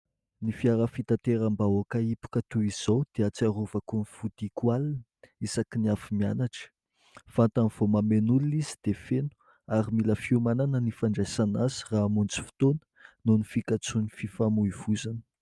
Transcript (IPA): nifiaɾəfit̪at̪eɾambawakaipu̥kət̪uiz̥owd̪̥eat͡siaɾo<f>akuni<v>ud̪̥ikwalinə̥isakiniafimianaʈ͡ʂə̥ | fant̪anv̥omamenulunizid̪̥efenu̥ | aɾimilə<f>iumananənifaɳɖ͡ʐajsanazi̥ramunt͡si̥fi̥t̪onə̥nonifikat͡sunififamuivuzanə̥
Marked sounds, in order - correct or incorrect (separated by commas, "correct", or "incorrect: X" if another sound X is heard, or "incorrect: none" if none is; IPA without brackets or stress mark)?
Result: incorrect: v, incorrect: f, correct